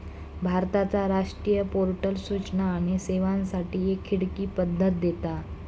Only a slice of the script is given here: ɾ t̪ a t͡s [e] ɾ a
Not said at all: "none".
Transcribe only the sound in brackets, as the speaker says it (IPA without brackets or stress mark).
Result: a